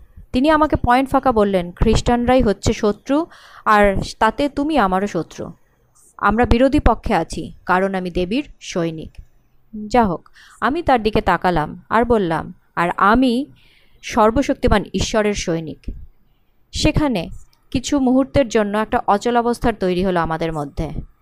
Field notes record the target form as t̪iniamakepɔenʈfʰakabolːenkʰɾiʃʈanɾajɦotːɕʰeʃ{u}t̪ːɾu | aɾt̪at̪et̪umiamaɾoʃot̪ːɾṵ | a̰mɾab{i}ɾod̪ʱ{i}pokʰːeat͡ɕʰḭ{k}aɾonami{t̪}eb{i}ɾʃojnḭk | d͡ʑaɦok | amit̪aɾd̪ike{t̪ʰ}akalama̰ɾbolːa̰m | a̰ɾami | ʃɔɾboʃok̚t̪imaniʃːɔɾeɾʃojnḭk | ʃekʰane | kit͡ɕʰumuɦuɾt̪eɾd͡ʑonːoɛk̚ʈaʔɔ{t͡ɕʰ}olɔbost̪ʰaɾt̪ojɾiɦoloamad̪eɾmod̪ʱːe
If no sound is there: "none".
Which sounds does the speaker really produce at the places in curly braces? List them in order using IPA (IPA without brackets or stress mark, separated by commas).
o, i, i, k, d̪, i, t̪, t͡ɕ